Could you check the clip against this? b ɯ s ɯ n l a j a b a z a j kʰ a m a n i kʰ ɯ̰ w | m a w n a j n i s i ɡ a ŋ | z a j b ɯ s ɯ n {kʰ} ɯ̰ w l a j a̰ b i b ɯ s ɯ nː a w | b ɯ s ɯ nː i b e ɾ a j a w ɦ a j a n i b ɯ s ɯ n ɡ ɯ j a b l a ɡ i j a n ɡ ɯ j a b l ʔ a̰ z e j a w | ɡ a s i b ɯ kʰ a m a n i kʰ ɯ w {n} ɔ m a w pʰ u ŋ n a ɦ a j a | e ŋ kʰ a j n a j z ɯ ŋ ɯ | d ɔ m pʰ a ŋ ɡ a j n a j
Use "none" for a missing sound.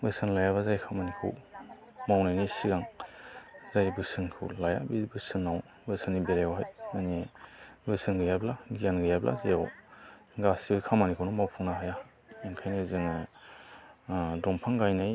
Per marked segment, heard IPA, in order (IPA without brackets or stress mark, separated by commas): kʰ, n